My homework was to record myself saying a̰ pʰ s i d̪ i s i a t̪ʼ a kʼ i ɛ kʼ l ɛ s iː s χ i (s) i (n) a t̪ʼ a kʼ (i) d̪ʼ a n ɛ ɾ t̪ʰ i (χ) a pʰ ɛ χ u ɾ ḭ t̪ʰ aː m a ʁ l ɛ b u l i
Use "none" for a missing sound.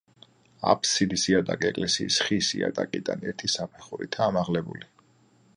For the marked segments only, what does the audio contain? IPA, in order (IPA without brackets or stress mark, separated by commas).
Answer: s, none, i, s